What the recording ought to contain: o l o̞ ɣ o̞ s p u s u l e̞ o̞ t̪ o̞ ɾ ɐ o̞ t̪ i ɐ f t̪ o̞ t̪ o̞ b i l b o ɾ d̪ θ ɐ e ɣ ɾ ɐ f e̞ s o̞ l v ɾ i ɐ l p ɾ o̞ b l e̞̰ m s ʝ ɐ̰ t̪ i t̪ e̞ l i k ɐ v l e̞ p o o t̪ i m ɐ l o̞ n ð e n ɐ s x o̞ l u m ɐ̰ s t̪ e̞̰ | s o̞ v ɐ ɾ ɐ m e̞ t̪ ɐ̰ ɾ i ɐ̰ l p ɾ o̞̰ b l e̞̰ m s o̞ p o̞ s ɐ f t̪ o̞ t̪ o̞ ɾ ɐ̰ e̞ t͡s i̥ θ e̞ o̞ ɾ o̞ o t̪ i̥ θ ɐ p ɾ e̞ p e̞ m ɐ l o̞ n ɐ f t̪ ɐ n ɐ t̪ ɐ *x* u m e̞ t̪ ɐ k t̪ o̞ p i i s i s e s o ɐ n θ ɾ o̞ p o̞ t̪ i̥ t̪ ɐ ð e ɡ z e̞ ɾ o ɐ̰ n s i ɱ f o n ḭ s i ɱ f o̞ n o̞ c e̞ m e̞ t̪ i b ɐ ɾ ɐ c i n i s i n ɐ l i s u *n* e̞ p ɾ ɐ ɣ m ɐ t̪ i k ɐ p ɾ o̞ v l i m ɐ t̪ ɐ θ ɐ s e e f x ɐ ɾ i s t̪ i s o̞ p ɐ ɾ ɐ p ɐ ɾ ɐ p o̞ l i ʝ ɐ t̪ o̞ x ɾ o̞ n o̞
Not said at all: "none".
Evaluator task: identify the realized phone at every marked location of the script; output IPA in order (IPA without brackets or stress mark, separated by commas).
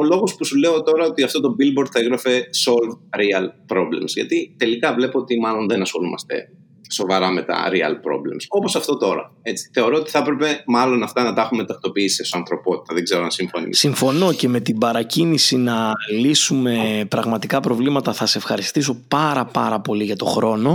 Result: x, m